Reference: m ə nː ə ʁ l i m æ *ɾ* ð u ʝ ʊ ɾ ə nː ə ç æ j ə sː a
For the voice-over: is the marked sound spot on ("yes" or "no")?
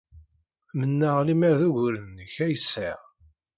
yes